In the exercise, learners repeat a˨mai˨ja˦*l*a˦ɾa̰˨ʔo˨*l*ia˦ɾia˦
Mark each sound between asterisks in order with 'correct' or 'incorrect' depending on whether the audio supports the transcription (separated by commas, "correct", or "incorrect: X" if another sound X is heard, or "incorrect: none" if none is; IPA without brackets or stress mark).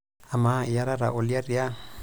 incorrect: ɾ, correct